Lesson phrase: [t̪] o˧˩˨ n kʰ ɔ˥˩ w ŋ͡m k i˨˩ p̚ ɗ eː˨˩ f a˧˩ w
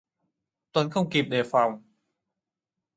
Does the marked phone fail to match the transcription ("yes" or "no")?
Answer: no